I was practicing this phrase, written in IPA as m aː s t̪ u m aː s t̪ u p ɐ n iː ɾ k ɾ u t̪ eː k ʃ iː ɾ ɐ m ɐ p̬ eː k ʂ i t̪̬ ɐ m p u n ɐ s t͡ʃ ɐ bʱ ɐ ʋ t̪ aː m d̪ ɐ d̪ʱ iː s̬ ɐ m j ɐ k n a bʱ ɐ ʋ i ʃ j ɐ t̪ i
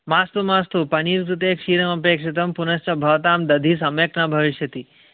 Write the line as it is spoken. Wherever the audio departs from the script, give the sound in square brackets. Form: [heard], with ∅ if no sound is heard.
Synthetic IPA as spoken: m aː s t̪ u m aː s t̪ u p ɐ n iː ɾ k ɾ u t̪ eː k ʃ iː ɾ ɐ m ɐ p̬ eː k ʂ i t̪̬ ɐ m p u n ɐ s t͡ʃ ɐ bʱ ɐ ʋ t̪ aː m d̪ ɐ d̪ʱ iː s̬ ɐ m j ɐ k n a bʱ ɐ ʋ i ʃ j ɐ t̪ i